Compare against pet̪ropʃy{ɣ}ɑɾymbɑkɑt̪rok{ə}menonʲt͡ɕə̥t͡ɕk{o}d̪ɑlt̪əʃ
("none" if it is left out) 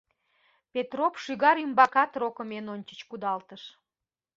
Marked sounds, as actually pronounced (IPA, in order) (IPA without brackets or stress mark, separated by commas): ɣ, ə, u